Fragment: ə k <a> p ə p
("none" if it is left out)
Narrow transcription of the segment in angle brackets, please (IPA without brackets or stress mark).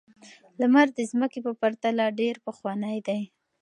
e